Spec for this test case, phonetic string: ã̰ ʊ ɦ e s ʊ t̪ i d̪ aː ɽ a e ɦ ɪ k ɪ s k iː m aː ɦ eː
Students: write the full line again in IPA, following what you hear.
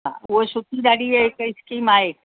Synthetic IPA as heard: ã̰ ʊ ɦ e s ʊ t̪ i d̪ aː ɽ i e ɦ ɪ k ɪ s k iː m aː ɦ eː